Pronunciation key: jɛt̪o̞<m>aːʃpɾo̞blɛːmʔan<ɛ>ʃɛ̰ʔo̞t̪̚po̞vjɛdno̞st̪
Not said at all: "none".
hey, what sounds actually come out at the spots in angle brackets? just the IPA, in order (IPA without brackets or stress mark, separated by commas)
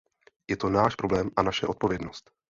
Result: n, a